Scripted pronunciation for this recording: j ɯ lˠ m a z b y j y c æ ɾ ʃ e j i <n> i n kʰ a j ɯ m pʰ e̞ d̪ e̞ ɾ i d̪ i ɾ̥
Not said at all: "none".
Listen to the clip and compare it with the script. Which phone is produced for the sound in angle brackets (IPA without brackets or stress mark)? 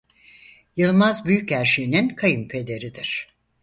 n